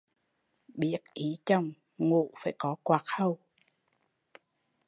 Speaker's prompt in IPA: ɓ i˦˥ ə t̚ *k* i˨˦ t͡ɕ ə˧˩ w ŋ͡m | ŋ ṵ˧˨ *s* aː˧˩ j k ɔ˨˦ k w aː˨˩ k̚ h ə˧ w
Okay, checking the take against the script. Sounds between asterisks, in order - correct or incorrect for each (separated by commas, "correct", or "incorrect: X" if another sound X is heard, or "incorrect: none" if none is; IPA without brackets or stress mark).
incorrect: ʔ, incorrect: f